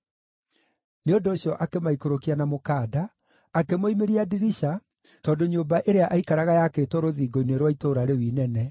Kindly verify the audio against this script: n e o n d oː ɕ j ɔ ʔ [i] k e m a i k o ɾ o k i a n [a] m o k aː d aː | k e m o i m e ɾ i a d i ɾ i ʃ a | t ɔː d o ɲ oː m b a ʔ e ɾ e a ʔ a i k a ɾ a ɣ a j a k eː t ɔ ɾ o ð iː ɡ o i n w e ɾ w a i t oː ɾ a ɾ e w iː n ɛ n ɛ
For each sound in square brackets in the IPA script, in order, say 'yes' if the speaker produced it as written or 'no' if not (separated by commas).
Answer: no, yes